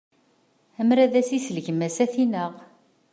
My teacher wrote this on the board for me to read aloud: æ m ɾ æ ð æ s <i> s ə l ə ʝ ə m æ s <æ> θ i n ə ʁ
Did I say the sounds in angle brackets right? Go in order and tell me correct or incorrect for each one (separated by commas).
correct, correct